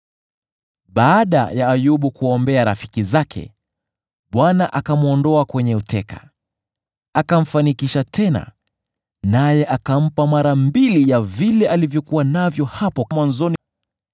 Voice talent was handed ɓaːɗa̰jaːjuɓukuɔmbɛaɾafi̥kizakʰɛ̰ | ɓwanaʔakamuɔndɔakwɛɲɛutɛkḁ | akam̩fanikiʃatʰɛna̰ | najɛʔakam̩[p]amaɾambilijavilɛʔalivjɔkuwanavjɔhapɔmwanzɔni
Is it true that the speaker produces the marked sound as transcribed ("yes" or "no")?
yes